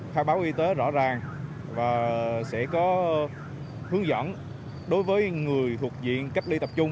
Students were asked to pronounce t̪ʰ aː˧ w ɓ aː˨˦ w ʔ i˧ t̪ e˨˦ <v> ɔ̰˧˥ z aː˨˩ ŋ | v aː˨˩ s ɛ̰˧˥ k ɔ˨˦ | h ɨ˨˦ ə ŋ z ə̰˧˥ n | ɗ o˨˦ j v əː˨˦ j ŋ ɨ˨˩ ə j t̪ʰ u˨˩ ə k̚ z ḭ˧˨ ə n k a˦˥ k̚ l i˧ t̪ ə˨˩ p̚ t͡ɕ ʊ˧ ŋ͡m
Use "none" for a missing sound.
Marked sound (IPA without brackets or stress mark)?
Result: z